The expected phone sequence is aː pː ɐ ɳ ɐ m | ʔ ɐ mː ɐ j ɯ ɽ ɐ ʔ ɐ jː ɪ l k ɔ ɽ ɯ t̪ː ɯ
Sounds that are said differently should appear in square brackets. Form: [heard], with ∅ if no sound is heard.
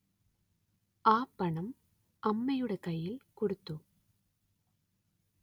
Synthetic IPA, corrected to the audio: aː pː ɐ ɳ ɐ m | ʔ ɐ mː ɐ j ɯ ɽ ɐ [k] ɐ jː ɪ l k ɔ ɽ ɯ t̪ː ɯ